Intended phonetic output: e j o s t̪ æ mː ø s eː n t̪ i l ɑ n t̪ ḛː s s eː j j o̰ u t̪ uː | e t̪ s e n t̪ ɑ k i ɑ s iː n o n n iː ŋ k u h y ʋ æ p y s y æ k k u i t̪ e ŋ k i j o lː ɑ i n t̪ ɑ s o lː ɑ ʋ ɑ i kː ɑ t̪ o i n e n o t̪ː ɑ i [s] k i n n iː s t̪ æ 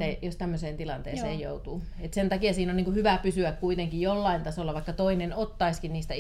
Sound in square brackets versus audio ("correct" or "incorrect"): correct